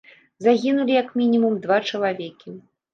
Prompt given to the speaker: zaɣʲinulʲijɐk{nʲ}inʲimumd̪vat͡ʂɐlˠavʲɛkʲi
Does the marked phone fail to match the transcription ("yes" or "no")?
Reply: yes